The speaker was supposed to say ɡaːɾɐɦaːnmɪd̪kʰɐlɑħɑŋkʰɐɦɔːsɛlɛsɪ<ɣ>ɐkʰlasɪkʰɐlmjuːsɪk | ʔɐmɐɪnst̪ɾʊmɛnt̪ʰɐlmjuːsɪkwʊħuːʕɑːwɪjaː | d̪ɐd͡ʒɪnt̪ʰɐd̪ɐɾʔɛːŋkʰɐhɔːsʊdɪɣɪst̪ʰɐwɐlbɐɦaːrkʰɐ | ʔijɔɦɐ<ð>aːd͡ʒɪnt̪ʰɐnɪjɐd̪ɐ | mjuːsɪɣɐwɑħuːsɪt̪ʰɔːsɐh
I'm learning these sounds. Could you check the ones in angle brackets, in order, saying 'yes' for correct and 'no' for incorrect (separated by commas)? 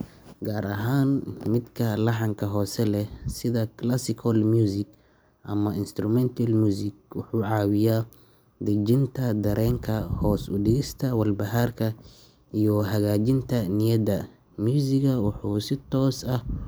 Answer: no, no